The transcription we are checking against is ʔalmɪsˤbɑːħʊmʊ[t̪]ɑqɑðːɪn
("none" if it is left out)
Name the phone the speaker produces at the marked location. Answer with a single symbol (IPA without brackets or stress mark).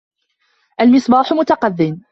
t̪